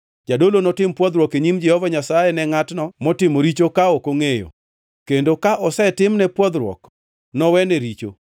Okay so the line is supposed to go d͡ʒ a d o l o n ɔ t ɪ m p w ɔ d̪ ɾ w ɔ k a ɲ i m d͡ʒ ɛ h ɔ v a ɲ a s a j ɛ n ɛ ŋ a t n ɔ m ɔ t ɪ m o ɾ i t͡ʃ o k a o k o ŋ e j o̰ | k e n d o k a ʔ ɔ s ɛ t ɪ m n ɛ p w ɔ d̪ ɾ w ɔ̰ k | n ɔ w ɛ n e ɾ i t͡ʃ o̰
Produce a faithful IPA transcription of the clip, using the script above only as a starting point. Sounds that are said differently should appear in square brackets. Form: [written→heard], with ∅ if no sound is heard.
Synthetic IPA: d͡ʒ a d o l o n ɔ t ɪ m p w ɔ d̪ ɾ w ɔ k [a→e] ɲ i m d͡ʒ ɛ h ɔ v a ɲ a s a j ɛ n ɛ ŋ a t n ɔ m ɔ t ɪ m o ɾ i t͡ʃ o k a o k o ŋ e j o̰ | k e n d o k a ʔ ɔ s ɛ t ɪ m n ɛ p w ɔ d̪ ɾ w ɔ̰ k | n ɔ w ɛ n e ɾ i t͡ʃ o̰